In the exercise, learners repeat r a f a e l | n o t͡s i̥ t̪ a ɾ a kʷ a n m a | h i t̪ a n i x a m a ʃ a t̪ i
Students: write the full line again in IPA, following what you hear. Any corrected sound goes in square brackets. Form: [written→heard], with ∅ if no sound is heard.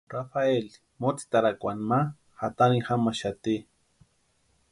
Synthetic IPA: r a f a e l | [n→m] o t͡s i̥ t̪ a ɾ a kʷ a n m a | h [i→a] t̪ a n i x a m a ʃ a t̪ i